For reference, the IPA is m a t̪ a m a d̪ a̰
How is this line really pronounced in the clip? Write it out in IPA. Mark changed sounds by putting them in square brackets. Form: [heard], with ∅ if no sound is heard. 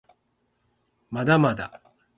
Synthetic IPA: m a [d̪] a m a d̪ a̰